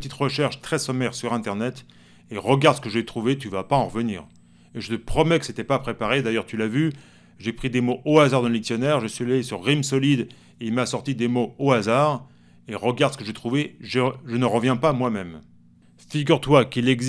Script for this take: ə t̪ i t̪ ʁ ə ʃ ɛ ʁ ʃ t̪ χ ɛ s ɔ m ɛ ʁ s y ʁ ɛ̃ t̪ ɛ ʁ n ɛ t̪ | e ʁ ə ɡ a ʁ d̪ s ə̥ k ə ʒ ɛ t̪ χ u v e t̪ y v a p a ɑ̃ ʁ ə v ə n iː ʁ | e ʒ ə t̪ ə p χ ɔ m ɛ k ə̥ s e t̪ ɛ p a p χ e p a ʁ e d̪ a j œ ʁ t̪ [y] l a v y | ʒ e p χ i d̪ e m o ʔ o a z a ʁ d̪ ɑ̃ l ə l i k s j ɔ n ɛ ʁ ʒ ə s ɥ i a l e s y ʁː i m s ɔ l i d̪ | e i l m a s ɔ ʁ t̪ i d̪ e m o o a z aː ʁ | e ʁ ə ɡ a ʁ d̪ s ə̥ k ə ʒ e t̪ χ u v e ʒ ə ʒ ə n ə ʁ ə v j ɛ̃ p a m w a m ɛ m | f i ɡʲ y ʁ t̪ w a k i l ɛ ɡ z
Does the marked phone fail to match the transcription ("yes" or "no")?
no